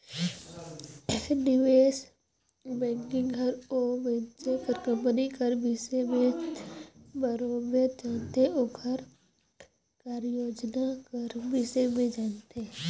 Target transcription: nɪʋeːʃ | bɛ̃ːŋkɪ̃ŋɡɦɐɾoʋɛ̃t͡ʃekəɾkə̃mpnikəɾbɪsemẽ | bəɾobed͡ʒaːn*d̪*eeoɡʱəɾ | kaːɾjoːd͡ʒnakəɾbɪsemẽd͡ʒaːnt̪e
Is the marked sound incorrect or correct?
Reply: incorrect